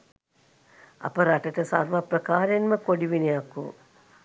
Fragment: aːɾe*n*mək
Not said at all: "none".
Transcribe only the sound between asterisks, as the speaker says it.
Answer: n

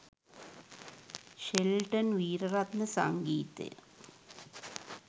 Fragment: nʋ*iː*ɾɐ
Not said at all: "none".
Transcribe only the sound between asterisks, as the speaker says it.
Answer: iː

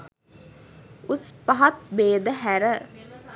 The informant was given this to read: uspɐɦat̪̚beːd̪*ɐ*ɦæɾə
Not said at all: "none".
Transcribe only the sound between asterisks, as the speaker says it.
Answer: ə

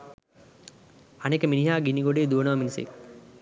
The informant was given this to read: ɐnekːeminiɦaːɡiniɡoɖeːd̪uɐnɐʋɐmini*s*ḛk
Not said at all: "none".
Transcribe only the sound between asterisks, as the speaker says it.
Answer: s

